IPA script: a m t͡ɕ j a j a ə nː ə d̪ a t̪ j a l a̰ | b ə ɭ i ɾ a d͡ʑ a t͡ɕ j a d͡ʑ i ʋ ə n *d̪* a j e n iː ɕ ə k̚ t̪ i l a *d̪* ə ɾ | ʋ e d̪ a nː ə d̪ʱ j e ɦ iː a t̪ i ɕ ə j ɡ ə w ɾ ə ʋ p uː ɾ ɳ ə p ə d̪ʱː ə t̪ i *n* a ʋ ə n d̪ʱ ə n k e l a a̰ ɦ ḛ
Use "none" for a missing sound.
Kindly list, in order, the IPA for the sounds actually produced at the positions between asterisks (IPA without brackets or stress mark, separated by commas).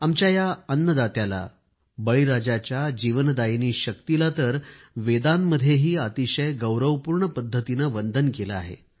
d̪, t̪, n